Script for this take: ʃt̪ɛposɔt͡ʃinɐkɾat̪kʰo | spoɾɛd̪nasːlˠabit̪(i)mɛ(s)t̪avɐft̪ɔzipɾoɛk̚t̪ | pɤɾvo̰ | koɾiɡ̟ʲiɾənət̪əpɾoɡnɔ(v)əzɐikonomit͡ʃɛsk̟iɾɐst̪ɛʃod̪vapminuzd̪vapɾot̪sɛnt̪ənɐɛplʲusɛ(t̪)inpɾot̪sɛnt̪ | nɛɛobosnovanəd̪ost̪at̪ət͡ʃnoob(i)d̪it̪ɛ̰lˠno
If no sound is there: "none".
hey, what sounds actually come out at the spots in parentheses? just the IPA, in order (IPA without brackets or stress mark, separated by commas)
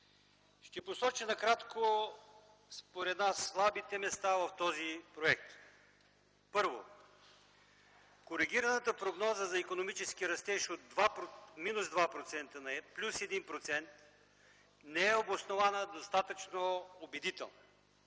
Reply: ɛ, s, z, d̪, ɛ